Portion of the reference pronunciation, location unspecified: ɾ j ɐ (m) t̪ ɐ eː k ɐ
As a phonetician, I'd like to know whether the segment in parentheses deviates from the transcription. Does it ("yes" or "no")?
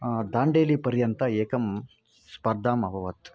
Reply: yes